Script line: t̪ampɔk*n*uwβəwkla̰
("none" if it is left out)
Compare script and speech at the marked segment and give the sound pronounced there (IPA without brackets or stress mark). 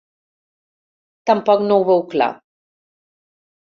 n